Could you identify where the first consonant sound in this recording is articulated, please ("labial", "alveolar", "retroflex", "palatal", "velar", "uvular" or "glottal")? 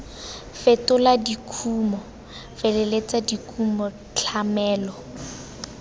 labial